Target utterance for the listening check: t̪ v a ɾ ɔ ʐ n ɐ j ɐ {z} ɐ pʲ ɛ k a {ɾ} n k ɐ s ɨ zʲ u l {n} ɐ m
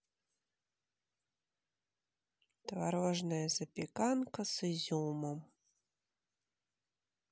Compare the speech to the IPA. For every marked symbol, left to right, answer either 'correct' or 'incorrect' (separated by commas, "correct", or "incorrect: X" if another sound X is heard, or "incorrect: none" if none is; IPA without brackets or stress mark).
correct, incorrect: none, incorrect: m